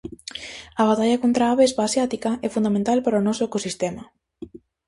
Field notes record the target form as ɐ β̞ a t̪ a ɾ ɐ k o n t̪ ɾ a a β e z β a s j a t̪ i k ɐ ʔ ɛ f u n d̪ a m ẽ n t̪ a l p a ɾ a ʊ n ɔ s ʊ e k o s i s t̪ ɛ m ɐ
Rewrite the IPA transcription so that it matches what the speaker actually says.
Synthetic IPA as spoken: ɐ β̞ a t̪ a ʎ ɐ k o n t̪ ɾ a a β e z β a s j a t̪ i k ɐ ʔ ɛ f u n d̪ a m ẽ n t̪ a l p a ɾ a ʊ n ɔ s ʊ e k o s i s t̪ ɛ m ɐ